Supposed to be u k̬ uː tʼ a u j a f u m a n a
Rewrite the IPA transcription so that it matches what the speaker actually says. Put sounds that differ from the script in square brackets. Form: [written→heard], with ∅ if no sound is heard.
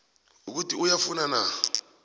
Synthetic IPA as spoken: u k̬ [uː→u] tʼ [a→i] u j a f u [m→n] a n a